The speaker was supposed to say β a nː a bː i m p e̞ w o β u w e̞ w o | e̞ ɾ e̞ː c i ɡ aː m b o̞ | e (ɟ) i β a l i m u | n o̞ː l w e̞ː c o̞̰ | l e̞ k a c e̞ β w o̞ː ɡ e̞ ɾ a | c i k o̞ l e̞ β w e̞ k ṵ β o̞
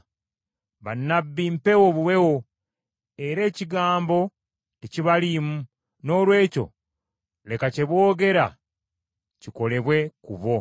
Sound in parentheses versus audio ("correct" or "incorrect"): incorrect